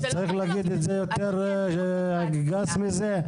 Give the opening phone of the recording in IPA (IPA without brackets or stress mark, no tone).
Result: t͡s